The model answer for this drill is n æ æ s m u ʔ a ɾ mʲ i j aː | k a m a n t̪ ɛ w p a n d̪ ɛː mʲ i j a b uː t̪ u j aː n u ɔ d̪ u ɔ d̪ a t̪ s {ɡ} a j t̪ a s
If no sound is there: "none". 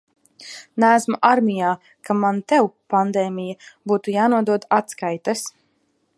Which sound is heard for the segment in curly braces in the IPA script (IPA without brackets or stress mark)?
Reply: k